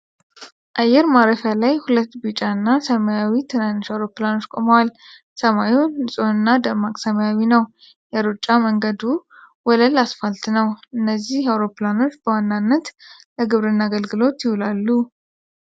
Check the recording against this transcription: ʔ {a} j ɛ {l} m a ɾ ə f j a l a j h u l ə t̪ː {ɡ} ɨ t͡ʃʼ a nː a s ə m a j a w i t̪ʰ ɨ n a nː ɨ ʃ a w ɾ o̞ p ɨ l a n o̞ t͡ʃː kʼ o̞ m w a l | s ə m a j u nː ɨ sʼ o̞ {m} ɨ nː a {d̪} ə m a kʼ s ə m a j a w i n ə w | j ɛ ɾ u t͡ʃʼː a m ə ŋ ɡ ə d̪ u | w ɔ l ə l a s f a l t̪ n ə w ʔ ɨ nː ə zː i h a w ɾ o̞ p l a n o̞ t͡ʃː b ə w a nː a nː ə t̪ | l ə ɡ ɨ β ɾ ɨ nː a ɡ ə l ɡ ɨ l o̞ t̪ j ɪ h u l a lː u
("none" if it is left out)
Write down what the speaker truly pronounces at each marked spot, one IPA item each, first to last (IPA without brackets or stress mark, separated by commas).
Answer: a, ɾ, b, n, d̪